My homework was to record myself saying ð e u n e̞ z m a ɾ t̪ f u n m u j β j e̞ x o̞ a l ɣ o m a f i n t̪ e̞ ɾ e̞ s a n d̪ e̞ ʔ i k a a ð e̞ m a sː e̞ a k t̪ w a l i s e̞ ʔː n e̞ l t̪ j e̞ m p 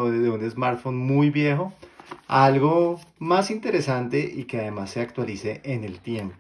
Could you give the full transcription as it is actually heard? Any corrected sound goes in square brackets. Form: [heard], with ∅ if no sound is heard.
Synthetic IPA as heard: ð e u n e̞ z m a ɾ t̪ f [o] n m u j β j e̞ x o̞ a l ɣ o m a [s] i n t̪ e̞ ɾ e̞ s a n [t̪] e̞ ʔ i k [e] a ð e̞ m a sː e̞ a k t̪ w a l i s e̞ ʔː n e̞ l t̪ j e̞ m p